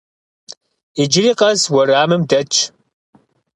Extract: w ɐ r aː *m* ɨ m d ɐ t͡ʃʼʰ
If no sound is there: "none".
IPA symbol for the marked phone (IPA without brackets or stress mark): m